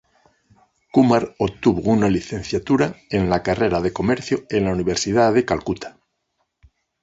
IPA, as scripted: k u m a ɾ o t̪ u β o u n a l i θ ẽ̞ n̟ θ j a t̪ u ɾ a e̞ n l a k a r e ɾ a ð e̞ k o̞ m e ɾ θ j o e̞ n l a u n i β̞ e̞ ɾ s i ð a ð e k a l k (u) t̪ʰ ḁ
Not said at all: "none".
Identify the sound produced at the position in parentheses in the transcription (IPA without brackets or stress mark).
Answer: u